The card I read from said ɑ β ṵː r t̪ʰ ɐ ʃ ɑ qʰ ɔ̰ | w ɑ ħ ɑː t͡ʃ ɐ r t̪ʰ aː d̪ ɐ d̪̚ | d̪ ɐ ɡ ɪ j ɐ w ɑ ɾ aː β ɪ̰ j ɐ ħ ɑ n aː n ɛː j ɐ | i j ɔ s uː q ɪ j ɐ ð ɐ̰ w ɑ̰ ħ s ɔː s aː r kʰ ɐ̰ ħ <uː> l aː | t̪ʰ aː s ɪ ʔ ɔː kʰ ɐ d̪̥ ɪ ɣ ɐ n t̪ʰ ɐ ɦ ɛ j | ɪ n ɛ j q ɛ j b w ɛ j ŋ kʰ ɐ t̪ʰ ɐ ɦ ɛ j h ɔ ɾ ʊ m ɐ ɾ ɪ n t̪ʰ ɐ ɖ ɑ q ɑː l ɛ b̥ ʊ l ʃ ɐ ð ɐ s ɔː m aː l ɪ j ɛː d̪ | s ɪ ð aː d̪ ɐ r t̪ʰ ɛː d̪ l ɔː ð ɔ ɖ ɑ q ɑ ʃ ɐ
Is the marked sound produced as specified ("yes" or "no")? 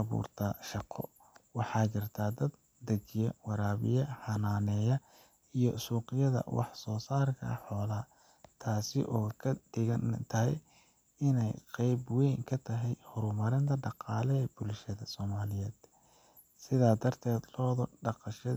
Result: no